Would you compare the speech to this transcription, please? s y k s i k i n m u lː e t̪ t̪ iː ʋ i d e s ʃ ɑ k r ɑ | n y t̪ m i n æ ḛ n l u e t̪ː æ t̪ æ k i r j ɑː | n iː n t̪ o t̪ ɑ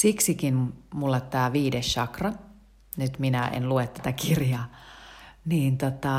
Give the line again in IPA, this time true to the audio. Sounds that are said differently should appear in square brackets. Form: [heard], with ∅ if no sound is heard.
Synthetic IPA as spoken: s [i] k s i k i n m u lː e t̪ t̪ [æː] ʋ [iː] d e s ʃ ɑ k r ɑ | n y t̪ m i n æ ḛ n l u e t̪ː æ t̪ æ k i r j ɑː | n iː n t̪ o t̪ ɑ